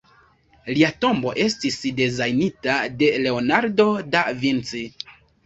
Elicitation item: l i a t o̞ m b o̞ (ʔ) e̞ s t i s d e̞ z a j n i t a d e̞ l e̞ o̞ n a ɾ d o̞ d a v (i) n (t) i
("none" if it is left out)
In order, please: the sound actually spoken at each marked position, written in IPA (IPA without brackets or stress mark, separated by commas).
ʔ, i, t͡s